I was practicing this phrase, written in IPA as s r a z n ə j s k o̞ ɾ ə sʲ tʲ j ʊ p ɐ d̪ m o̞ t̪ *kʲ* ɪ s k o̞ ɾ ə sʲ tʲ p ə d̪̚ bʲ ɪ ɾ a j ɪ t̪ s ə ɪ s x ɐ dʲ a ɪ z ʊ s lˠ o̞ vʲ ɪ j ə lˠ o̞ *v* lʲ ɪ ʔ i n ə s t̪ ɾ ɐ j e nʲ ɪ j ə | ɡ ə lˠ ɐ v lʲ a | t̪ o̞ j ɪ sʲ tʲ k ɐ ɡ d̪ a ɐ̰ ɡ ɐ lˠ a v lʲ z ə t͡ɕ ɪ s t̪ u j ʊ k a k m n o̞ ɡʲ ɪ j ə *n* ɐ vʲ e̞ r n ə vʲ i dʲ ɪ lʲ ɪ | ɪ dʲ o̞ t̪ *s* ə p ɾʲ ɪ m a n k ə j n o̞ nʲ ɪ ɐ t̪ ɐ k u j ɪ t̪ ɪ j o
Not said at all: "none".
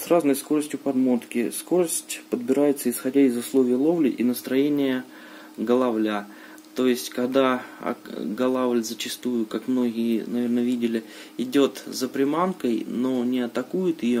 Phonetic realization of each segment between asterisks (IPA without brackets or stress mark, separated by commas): kʲ, v, n, z